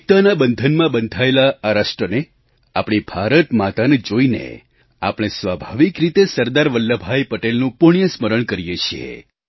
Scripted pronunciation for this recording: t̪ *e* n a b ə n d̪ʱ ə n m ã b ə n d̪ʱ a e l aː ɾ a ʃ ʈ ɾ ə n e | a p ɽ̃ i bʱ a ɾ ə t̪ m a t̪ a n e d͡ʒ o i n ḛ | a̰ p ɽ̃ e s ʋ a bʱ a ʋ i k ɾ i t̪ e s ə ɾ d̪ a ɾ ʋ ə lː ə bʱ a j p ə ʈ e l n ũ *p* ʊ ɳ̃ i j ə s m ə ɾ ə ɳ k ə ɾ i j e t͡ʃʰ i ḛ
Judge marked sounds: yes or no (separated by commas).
no, yes